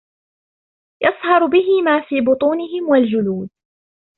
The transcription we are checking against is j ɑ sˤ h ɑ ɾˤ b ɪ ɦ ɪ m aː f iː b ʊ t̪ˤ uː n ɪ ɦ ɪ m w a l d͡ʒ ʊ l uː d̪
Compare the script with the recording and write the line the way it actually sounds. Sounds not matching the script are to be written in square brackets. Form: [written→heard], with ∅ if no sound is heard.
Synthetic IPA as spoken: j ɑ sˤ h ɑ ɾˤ b ɪ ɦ ɪ m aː f iː b ʊ t̪ˤ uː n ɪ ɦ ɪ m w a l d͡ʒ ʊ l uː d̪